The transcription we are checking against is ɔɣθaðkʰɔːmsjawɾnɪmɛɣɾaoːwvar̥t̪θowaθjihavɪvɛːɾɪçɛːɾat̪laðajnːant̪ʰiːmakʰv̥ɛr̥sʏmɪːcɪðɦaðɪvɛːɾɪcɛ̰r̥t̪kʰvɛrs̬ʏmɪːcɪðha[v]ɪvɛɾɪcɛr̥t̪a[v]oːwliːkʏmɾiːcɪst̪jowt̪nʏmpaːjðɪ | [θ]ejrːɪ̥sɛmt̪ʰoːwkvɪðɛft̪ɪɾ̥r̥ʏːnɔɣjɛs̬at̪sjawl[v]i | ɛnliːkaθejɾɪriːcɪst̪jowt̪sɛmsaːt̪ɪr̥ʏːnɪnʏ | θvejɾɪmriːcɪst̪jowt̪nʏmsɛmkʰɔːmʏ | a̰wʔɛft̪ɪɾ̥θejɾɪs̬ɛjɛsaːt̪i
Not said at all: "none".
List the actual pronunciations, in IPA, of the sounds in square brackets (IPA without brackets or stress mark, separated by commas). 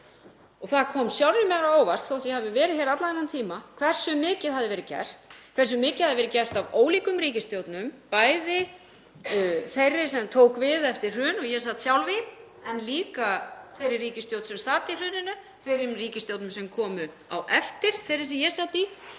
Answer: ð, v, θ, v